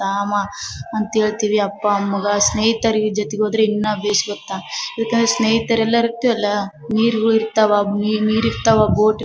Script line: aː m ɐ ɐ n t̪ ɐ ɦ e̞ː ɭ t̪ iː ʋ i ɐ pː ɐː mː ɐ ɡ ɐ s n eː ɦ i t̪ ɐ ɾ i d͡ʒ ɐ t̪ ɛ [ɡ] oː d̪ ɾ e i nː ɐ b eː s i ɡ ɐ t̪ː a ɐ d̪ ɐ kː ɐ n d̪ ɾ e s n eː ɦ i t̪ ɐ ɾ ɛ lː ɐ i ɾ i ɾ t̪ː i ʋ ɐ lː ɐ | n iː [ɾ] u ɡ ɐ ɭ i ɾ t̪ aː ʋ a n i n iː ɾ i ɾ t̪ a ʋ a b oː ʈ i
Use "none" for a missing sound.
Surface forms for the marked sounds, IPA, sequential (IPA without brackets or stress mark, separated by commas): ɡ, ɾ